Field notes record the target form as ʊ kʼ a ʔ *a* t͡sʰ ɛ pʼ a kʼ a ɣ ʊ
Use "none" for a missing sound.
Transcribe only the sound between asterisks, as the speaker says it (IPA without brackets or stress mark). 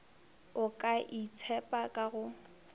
i